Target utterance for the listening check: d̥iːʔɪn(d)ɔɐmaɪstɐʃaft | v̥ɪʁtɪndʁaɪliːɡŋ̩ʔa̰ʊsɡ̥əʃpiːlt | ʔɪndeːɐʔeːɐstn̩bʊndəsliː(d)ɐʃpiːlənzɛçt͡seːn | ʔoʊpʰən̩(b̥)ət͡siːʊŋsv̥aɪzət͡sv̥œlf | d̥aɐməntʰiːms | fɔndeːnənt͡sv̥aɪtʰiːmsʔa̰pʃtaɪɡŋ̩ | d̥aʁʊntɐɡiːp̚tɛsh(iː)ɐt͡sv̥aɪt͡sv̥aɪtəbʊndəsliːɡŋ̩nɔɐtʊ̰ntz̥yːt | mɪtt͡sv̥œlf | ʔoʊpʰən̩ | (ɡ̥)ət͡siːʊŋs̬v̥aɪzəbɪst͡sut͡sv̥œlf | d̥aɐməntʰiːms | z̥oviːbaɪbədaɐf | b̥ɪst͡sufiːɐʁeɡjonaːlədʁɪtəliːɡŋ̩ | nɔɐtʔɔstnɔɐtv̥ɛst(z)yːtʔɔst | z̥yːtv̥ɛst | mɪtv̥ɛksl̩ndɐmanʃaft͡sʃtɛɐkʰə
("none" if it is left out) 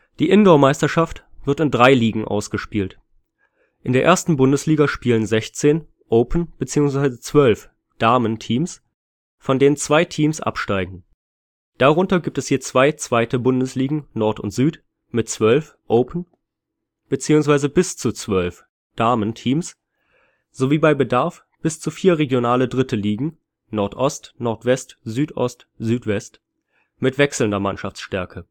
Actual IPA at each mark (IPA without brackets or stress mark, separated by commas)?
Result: d, ɡ, b̥, iː, b̥, z